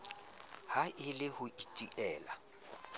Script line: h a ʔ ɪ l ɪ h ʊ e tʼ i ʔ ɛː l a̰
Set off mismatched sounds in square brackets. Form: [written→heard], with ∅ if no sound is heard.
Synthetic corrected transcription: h a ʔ ɪ l ɪ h ʊ [e→i] tʼ i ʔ ɛː l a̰